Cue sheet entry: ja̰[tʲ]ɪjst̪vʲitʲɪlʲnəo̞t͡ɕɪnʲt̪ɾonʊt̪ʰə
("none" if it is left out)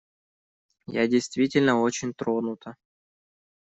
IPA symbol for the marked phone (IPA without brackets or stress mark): dʲ